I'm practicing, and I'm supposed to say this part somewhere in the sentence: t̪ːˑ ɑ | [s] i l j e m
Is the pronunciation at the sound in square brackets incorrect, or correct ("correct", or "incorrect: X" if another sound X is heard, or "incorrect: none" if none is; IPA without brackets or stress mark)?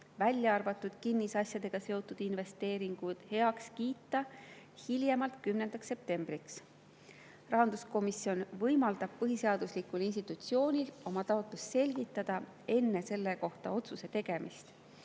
incorrect: h